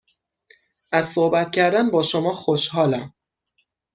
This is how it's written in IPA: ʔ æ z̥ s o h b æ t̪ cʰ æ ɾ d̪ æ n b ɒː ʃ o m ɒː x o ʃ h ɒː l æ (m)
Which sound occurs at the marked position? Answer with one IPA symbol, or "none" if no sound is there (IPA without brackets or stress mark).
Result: m